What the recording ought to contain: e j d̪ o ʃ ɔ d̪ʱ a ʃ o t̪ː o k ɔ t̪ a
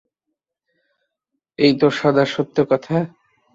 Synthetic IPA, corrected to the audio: e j t̪ o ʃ ɔ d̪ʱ a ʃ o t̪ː o k ɔ t̪ʰ a